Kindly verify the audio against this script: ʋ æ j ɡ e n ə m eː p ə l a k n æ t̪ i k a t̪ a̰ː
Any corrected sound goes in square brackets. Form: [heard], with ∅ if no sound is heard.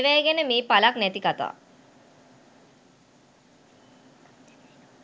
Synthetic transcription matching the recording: ʋ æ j ɡ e n ə m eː p [a] l a k n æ t̪ i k a t̪ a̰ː